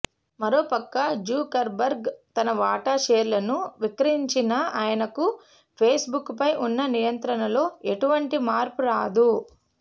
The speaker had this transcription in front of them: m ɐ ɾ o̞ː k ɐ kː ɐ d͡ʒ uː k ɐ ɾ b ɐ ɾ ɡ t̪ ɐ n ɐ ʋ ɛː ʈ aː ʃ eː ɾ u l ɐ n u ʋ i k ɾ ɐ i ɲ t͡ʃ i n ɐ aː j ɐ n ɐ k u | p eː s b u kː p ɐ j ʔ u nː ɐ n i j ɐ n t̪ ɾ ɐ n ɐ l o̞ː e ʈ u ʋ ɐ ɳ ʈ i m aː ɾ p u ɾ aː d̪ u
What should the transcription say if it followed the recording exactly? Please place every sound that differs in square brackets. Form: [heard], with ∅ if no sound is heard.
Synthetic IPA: m ɐ ɾ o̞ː [p] ɐ kː ɐ d͡ʒ uː k ɐ ɾ b ɐ ɾ ɡ t̪ ɐ n ɐ ʋ [aː] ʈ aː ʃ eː ɾ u l ɐ n u ʋ i k ɾ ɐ i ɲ t͡ʃ i n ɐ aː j ɐ n ɐ k u | [pʰ] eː s b u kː p ɐ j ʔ u nː ɐ n i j ɐ n t̪ ɾ ɐ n ɐ l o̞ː e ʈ u ʋ ɐ ɳ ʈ i m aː ɾ p u ɾ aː d̪ u